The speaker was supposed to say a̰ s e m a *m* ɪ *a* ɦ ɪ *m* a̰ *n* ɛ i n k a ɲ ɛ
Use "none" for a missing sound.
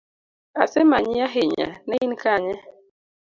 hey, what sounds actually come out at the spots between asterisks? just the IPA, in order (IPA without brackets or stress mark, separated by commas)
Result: ɲ, a, ɲ, n